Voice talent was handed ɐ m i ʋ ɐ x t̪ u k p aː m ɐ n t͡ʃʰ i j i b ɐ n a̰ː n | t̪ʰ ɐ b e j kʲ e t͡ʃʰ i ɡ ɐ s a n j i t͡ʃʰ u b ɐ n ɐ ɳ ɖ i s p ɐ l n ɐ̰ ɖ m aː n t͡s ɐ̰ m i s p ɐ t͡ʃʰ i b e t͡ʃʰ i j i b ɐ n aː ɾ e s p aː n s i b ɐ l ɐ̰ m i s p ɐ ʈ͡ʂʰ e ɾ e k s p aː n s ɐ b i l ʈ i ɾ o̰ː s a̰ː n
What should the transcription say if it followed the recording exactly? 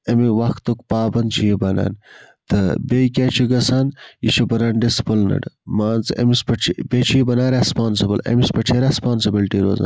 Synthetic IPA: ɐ m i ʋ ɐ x t̪ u k p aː b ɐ n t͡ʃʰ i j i b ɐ n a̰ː n | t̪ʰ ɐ b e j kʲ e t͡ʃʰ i ɡ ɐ s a n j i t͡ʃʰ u b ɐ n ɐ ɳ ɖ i s p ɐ l n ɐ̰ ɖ m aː n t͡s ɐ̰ m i s p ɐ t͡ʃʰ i b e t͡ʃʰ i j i b ɐ n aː ɾ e s p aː n s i b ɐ l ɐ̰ m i s p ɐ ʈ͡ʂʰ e ɾ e s p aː n s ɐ b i l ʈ i ɾ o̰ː z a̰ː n

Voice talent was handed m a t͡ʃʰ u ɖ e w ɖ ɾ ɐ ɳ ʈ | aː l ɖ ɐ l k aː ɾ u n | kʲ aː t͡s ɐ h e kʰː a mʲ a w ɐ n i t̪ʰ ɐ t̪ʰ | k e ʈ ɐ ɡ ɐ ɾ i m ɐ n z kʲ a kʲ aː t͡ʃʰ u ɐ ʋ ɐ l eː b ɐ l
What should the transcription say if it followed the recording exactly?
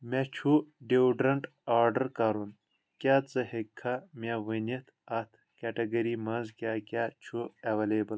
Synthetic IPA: m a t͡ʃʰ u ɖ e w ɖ ɾ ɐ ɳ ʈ | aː ɾ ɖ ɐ ɾ k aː ɾ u n | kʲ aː t͡s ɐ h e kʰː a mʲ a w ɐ n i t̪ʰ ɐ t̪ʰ | k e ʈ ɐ ɡ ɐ ɾ i m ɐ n z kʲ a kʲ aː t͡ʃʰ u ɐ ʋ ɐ l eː b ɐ l

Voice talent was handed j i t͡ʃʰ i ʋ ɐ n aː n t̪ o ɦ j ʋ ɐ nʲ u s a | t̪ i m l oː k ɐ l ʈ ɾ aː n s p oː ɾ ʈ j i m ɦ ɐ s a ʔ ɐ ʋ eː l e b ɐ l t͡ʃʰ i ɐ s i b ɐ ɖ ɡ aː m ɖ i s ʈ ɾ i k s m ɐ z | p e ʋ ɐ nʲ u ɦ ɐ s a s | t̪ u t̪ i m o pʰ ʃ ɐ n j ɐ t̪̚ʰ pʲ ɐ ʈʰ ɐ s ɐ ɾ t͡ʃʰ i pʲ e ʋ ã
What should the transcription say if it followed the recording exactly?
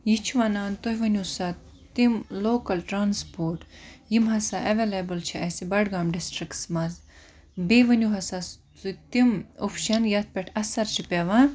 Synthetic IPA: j i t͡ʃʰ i ʋ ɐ n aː n t̪ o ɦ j ʋ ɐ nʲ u s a | t̪ i m l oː k ɐ l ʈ ɾ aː n s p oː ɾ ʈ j i m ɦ ɐ s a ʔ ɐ ʋ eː l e b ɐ l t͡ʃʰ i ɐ s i b ɐ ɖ ɡ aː m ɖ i s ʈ ɾ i k s m ɐ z | b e ʋ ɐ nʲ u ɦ ɐ s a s | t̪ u t̪ i m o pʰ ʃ ɐ n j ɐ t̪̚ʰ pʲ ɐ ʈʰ ɐ s ɐ ɾ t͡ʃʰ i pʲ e ʋ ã

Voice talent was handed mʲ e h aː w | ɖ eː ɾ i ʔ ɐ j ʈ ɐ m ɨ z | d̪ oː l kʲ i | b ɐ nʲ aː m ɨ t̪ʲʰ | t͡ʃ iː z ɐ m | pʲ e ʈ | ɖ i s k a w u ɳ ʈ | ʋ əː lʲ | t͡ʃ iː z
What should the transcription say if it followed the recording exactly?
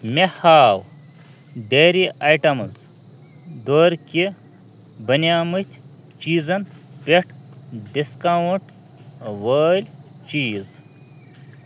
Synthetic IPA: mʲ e h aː w | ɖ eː ɾ i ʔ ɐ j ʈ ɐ m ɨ z | d̪ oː ɾ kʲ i | b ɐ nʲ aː m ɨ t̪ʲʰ | t͡ʃ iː z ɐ n | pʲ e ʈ | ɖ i s k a w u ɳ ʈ | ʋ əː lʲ | t͡ʃ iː z

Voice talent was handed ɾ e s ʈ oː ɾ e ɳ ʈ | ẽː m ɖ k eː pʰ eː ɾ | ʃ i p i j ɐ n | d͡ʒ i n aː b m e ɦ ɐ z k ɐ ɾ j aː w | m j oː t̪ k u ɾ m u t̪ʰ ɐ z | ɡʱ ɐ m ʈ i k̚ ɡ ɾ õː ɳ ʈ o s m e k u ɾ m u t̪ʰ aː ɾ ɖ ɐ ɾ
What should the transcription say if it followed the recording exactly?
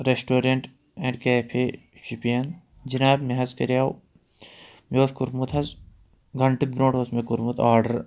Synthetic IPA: ɾ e s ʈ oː ɾ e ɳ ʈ | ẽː ɳ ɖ k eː pʰ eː | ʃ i p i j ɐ n | d͡ʒ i n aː b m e ɦ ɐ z k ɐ ɾ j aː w | m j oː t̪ k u ɾ m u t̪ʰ ɐ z | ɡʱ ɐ ɳ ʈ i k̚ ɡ ɾ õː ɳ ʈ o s m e k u ɾ m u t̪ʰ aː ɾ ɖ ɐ ɾ

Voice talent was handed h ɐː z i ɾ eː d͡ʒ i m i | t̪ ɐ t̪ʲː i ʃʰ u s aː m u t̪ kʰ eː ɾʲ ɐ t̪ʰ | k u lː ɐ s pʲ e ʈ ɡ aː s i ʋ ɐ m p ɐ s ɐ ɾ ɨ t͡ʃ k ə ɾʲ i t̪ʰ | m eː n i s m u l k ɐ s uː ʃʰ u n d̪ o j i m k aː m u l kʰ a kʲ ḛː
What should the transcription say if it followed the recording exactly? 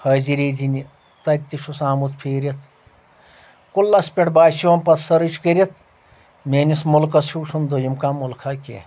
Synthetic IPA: h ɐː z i ɾ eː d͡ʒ i n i | t̪ ɐ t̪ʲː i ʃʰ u s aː m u t̪ pʰ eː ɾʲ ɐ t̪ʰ | k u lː ɐ s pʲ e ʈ b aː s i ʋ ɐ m p ɐ s ɐ ɾ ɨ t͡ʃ k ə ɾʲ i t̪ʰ | m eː n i s m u l k ɐ s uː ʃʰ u n d̪ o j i m k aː m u l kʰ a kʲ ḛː

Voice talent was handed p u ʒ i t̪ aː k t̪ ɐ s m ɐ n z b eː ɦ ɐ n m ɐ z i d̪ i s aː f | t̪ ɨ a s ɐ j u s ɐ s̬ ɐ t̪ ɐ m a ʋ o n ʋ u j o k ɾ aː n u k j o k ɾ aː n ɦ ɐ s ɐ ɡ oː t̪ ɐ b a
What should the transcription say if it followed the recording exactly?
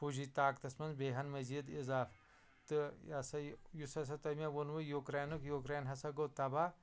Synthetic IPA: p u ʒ i t̪ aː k t̪ ɐ s m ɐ n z b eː ɦ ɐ n m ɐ z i d̪ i z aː f | t̪ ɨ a s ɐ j u s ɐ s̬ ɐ t̪ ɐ m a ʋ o n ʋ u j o k ɾ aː n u k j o k ɾ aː n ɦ ɐ s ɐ ɡ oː t̪ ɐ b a

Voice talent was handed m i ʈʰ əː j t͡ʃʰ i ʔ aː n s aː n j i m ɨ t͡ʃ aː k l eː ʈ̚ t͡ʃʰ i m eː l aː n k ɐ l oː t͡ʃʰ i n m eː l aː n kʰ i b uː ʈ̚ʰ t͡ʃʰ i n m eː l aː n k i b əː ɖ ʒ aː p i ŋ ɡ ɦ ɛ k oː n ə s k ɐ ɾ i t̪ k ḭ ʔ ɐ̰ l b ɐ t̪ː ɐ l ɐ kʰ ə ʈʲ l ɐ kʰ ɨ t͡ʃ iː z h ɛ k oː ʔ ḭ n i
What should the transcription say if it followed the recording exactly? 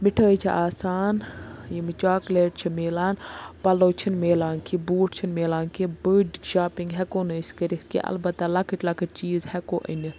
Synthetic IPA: m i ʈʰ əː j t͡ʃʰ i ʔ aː s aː n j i m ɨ t͡ʃ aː k l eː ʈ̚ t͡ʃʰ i m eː l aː n p ɐ l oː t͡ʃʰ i n m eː l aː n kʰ i b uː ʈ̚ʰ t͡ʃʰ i n m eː l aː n k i b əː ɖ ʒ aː p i ŋ ɡ ɦ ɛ k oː n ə s k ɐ ɾ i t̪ k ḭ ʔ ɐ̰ l b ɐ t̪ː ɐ l ɐ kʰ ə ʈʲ l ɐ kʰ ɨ t͡ʃ iː z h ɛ k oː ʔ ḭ n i

